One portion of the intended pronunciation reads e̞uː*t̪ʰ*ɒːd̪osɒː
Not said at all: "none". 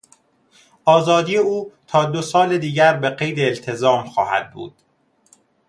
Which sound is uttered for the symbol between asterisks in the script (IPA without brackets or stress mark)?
t̪ʰ